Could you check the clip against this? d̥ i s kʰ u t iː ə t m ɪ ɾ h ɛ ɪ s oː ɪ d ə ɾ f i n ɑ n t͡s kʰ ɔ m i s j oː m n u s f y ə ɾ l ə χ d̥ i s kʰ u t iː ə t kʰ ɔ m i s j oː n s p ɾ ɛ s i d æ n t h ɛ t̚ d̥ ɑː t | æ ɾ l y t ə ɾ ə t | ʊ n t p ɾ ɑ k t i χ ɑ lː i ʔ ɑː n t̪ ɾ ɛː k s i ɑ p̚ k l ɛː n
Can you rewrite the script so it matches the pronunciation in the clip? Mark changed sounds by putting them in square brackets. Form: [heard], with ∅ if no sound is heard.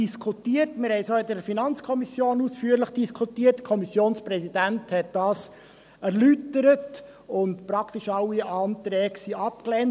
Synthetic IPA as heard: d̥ i s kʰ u t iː ə t m ɪ ɾ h ɛ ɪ s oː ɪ d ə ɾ f i n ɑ n t͡s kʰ ɔ m i s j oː [∅] n u s f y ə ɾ l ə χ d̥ i s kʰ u t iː ə t kʰ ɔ m i s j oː n s p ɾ ɛ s i d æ n t h ɛ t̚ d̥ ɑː [s] | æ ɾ l y t ə ɾ ə t | ʊ n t p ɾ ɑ k t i [ʃ] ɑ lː i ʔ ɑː n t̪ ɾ ɛː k s i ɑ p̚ k l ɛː n

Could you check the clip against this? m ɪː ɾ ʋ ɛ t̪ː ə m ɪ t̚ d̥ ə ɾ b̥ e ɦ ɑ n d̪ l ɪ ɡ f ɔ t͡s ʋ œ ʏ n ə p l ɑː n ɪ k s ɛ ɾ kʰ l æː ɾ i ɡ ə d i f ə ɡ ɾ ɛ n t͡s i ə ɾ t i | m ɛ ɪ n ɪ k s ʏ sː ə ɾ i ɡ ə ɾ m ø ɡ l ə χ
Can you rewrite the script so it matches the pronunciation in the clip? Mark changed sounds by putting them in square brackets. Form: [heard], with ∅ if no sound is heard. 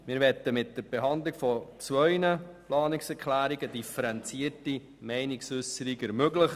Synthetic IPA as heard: m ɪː ɾ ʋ ɛ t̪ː ə m ɪ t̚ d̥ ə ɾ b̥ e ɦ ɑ n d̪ l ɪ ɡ f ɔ t͡s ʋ œ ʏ n ə p l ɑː n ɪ k s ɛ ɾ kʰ l æː ɾ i ɡ ə d i f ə [∅] ɾ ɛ n t͡s i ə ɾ t i | m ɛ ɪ n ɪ k s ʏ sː ə ɾ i ɡ ə ɾ m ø ɡ l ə χ

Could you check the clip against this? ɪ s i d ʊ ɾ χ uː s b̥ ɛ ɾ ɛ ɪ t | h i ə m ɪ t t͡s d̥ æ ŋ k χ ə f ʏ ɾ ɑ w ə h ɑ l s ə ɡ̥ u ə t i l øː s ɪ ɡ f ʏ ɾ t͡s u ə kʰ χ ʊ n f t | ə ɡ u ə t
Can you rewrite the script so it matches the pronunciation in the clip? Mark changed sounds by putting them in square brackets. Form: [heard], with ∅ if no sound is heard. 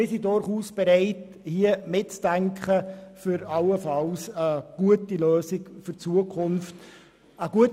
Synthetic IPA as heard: ɪ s i d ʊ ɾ χ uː s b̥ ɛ ɾ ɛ ɪ t | h i ə m ɪ t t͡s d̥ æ ŋ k χ ə f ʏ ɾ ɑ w ə [f] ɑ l s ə ɡ̥ u ə t i l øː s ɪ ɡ f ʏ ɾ t͡s u ə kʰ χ ʊ n f t | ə ɡ u ə t

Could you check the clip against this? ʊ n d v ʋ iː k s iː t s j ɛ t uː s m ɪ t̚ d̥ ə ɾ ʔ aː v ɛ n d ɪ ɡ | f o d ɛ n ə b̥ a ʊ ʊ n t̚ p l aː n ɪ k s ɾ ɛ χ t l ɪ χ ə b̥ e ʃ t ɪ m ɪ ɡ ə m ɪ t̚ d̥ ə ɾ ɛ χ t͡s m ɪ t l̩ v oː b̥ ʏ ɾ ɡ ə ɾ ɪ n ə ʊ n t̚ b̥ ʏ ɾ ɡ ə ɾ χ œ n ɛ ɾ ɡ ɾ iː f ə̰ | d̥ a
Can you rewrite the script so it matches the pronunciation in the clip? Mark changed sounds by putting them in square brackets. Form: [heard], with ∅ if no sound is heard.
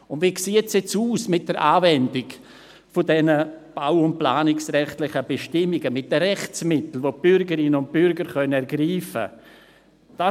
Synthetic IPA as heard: ʊ n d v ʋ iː k s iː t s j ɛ [t͡s] uː s m ɪ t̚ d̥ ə ɾ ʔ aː v ɛ n d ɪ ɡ | f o d ɛ n ə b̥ a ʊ ʊ n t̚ p l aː n ɪ k s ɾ ɛ χ t l ɪ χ ə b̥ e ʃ t ɪ m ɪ ɡ ə m ɪ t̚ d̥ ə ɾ ɛ χ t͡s m ɪ t l̩ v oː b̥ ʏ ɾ ɡ ə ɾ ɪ n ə ʊ n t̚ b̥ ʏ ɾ ɡ ə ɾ χ œ n ɛ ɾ ɡ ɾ iː f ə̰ | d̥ a

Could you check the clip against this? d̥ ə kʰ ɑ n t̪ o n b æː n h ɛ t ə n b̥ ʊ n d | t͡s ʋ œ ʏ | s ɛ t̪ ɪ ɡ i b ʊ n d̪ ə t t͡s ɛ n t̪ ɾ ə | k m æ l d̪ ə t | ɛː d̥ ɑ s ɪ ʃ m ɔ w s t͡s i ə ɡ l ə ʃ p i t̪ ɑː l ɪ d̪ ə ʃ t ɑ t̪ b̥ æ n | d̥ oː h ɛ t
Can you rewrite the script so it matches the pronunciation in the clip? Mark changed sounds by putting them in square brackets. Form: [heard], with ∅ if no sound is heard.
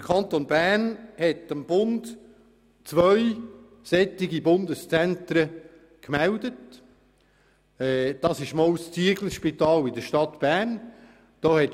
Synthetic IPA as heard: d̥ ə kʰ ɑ n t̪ o n b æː n h ɛ t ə [m] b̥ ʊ n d | t͡s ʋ œ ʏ | s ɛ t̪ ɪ ɡ i b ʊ n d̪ ə [s] t͡s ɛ n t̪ ɾ ə | k m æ l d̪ ə t | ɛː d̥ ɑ s ɪ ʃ m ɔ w s t͡s i ə ɡ l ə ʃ p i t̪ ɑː l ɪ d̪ ə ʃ t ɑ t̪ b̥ æ n | d̥ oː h ɛ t

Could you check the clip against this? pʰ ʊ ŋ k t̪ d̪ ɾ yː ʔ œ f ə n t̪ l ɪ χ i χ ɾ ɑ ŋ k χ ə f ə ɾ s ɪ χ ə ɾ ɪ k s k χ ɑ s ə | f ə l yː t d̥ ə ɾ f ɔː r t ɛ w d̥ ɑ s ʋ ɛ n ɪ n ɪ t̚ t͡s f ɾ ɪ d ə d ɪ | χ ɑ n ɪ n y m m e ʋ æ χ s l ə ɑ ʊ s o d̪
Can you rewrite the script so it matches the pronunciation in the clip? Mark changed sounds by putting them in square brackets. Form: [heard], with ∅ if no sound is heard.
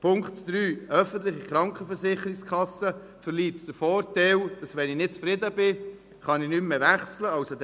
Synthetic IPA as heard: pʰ ʊ ŋ k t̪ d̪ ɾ yː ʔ œ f ə n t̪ l ɪ χ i χ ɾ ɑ ŋ k χ ə f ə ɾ s ɪ χ ə ɾ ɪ k s k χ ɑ s ə | f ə l [iː] t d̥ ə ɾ f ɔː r t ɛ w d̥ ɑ s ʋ ɛ n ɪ n ɪ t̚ t͡s f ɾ ɪ d ə [b] ɪ | χ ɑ n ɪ n y m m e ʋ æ χ s l ə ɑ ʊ s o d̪

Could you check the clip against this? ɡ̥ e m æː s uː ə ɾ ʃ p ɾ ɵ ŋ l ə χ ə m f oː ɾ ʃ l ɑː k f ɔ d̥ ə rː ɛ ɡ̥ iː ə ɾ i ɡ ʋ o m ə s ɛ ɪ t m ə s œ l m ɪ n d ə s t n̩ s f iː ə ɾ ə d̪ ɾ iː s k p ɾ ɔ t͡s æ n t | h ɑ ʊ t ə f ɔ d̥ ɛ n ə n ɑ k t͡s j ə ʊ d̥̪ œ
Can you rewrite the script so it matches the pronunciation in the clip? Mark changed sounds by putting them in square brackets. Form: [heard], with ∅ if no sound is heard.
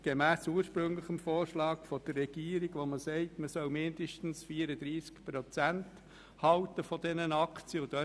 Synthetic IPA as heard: ɡ̥ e m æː s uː ə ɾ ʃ p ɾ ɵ ŋ l ə χ ə m f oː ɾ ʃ l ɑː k f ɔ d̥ ə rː ɛ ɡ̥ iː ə ɾ i ɡ ʋ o m ə s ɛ ɪ t m ə s œ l m ɪ n d ə [ʃ] t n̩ s f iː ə ɾ ə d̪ ɾ iː s k p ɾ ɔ t͡s æ n t | h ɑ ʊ t ə f ɔ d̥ ɛ n ə n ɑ k t͡s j ə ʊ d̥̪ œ

